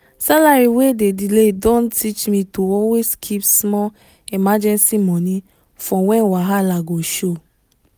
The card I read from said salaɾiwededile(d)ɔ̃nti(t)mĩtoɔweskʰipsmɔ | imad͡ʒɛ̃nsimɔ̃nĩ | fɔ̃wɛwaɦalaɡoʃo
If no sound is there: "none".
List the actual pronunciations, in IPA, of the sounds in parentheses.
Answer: d, t͡ʃ

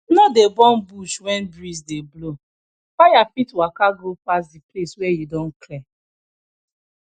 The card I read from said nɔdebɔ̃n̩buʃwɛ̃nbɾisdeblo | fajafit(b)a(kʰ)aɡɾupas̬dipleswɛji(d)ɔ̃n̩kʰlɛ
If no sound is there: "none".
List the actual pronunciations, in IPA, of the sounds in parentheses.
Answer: w, k, d

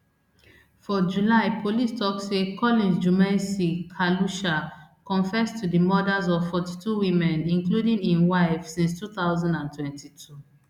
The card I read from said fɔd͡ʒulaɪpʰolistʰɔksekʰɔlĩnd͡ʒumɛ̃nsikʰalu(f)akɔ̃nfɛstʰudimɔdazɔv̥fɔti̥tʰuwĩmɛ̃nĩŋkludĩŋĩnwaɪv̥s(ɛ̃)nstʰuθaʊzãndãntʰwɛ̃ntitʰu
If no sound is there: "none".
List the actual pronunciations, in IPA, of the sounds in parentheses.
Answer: ʃ, ĩ

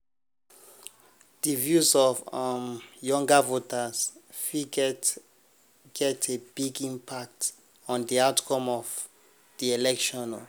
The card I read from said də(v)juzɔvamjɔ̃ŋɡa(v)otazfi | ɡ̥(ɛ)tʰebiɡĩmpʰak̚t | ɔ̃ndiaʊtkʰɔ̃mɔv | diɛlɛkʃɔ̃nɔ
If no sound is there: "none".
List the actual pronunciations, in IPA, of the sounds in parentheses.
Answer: v, v, ɛ

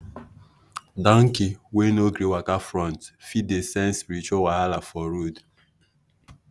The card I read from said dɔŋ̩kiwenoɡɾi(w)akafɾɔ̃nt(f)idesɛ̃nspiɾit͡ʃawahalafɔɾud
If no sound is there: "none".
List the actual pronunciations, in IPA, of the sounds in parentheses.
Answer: w, f

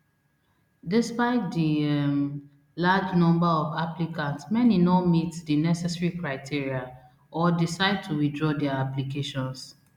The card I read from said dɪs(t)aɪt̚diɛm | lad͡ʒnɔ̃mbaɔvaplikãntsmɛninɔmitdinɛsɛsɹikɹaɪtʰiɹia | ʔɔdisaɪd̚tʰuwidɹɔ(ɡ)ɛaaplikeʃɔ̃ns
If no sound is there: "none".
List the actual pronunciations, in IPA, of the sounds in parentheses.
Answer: p, d

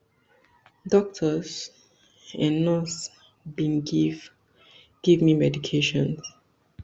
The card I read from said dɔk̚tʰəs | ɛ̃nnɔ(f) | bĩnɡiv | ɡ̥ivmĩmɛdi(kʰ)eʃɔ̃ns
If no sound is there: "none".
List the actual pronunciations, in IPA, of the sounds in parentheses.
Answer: s, kʰ

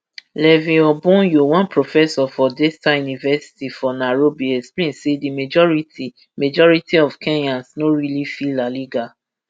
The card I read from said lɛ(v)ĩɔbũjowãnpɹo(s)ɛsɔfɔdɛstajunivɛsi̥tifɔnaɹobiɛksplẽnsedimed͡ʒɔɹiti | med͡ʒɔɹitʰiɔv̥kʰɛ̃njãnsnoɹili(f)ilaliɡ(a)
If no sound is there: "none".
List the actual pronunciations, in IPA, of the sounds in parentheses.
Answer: v, f, f, a

